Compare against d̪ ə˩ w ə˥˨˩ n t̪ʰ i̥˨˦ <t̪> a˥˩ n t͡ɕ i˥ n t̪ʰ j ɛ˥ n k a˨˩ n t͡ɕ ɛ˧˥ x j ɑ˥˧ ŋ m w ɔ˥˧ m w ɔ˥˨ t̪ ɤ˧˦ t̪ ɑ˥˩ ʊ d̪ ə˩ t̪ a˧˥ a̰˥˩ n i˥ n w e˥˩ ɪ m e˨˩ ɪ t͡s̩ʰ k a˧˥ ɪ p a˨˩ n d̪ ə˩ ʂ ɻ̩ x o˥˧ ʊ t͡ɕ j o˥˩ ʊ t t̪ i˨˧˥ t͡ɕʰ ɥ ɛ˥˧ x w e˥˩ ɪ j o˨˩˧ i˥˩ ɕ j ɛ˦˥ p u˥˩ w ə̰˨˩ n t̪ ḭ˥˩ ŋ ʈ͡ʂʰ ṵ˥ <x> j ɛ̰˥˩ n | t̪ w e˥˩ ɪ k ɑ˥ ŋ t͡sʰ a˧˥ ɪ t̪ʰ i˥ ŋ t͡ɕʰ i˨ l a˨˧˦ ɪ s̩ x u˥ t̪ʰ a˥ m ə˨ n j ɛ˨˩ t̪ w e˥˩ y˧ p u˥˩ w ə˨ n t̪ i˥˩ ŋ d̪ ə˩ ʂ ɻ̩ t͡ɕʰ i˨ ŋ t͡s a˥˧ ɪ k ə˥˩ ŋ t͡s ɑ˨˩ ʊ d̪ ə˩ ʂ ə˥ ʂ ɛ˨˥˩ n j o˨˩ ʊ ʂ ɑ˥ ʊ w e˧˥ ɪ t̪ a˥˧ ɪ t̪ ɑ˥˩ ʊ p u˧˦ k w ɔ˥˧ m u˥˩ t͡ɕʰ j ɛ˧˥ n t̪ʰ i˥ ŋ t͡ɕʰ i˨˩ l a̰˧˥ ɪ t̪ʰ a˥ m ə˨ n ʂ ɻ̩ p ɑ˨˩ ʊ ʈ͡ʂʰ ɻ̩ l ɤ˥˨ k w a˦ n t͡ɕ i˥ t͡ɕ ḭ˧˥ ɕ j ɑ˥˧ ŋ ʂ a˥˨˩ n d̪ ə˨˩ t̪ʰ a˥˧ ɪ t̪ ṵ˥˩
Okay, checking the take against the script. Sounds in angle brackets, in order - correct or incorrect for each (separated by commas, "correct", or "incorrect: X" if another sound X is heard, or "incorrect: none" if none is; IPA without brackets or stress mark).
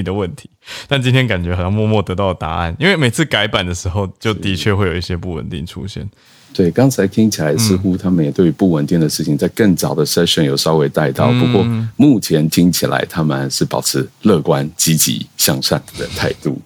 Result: correct, incorrect: ɕ